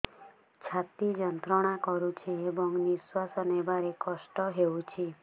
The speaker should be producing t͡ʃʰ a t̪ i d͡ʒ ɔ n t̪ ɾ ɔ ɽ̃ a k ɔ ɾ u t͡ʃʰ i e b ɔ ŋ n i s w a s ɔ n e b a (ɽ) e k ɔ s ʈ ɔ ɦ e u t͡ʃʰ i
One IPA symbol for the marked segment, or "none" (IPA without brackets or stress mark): ɾ